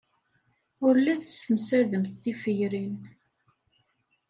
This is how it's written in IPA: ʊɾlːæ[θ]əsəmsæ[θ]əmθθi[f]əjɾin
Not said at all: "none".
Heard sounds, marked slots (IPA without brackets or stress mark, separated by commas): θ, ð, f